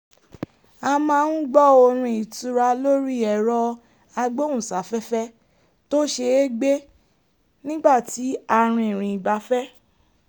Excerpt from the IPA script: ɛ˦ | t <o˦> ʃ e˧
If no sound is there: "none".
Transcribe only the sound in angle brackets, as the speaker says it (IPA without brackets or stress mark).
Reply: o˦